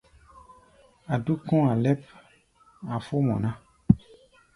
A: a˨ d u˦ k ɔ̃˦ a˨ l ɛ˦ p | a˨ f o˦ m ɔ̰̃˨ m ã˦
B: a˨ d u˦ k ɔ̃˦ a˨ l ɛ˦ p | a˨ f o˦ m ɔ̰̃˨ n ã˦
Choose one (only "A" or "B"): B